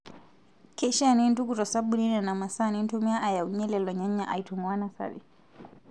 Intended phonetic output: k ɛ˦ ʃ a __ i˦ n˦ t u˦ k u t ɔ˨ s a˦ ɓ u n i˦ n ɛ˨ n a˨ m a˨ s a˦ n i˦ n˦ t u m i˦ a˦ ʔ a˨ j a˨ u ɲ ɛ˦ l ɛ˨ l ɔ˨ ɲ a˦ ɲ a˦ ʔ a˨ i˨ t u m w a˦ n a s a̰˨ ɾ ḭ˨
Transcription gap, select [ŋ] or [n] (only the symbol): n